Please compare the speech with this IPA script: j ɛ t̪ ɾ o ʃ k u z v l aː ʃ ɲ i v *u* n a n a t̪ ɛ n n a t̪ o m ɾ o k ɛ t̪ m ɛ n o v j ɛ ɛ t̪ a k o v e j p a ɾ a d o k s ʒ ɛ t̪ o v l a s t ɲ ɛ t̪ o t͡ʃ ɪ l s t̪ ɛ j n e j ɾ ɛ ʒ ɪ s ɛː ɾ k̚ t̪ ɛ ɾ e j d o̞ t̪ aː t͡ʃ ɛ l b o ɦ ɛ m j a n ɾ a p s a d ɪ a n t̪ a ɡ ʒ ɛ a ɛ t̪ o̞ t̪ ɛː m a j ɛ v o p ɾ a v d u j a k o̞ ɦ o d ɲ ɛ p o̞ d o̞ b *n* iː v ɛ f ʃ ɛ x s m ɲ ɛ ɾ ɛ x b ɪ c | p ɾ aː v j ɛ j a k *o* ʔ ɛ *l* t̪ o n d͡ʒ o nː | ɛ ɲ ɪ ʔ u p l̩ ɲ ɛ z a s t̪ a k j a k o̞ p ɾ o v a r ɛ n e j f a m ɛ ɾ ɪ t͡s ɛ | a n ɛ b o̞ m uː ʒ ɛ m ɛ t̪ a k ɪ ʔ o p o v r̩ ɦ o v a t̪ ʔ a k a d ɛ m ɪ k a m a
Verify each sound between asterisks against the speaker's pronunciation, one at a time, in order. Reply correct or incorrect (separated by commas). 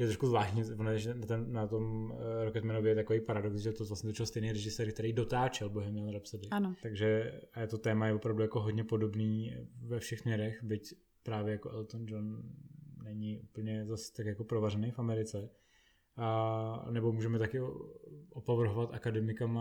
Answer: incorrect, correct, correct, correct